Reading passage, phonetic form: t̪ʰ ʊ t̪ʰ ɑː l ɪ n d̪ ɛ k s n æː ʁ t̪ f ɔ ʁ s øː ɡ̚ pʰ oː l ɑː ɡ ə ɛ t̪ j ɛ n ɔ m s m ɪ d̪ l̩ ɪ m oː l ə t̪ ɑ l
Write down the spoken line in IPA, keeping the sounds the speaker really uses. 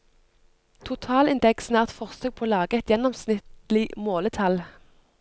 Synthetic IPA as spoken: t̪ʰ ʊ t̪ʰ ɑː l ɪ n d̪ ɛ k s n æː ʁ t̪ f ɔ ʁ s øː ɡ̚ pʰ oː l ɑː ɡ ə ɛ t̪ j ɛ n ɔ m s n ɪ t̪ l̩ ɪ m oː l ə t̪ʰ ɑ l